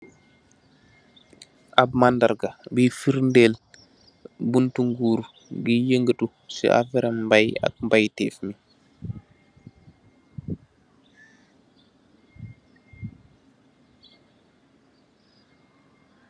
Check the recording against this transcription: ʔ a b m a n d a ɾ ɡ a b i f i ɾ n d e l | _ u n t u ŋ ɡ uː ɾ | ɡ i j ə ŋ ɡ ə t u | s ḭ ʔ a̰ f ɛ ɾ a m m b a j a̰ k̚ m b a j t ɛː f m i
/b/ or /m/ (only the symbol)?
b